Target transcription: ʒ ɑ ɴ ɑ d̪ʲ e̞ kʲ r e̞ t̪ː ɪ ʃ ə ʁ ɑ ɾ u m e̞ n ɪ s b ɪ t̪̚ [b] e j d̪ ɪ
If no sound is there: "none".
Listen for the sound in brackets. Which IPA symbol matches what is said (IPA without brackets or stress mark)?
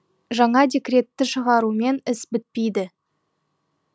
p